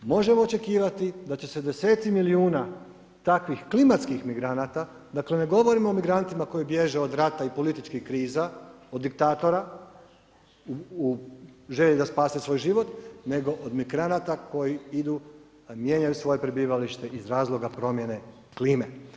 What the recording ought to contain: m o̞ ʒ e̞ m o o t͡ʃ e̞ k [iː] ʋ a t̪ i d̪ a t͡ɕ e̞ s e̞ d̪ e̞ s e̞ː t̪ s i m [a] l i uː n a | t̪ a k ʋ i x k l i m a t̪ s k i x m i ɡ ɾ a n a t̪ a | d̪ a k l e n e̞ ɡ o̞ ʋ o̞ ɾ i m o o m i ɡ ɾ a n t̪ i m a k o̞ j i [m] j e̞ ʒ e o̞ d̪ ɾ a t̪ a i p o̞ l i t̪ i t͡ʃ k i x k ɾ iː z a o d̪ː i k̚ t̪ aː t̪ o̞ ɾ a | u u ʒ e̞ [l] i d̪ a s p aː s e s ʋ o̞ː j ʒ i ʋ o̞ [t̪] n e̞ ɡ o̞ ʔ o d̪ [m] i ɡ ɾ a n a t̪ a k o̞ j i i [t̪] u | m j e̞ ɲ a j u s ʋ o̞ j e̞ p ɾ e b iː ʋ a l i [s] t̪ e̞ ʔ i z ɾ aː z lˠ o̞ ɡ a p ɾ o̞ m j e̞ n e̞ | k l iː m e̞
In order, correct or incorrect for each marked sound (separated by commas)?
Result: correct, incorrect, incorrect, incorrect, correct, correct, incorrect, incorrect